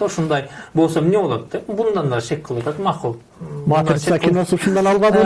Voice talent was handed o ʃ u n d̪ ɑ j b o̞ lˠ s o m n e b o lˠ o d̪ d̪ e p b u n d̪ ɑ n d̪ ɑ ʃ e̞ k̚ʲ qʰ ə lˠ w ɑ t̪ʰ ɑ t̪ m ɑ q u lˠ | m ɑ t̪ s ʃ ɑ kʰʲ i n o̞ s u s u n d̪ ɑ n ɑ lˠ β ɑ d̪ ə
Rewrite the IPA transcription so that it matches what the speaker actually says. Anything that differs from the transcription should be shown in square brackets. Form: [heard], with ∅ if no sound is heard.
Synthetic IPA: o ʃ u n d̪ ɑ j b o̞ lˠ s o m n e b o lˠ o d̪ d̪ e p b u n d̪ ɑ n d̪ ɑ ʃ e̞ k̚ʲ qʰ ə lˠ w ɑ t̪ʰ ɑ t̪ m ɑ q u lˠ | m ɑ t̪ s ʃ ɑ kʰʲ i n o̞ s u [ʃ] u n d̪ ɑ n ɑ lˠ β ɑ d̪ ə